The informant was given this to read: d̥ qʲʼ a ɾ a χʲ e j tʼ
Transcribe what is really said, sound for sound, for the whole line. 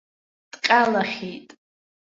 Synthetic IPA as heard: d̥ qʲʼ a l a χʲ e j tʼ